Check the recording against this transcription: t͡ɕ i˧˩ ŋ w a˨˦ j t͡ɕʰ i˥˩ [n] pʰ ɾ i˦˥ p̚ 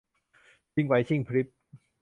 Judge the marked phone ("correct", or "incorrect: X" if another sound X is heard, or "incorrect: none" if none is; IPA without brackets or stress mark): incorrect: ŋ